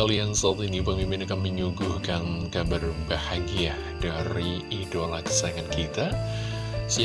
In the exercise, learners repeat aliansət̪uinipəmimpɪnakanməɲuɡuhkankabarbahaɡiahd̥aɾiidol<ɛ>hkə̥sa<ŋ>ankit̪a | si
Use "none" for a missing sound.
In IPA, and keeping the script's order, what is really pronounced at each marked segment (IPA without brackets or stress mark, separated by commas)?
a, ŋ